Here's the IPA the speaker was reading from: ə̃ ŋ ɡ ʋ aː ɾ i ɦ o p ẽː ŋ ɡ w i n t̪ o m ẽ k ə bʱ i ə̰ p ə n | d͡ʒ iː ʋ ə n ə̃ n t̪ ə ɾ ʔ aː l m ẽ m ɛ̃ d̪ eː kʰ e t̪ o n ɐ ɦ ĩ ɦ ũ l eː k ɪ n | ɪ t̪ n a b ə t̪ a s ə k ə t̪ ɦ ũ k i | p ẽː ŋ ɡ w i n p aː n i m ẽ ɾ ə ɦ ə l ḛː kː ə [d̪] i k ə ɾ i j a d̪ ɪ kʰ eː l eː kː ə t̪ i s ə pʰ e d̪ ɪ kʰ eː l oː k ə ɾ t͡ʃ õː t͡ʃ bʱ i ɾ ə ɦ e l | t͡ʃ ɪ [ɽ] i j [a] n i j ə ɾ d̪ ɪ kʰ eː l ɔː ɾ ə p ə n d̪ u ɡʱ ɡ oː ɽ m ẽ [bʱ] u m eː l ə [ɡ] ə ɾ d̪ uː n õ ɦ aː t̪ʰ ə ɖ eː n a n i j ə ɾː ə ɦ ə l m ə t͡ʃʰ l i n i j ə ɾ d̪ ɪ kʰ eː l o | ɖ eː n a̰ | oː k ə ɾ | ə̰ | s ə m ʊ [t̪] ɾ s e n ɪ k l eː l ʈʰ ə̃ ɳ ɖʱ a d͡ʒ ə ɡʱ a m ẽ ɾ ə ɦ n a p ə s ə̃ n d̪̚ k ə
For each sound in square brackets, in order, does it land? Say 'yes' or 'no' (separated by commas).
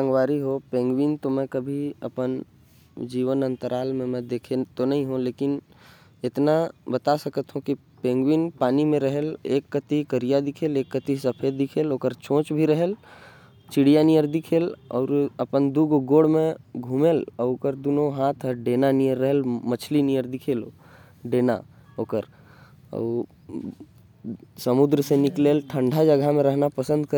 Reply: no, yes, yes, no, no, no